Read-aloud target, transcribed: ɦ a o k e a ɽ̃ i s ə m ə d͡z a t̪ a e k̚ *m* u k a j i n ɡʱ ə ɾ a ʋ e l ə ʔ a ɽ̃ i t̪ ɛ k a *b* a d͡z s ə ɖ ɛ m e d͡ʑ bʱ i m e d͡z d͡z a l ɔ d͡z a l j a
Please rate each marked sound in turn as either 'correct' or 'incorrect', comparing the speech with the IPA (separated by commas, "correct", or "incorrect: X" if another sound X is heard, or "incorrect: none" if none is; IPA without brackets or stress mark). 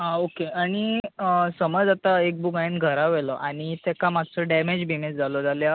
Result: incorrect: b, incorrect: m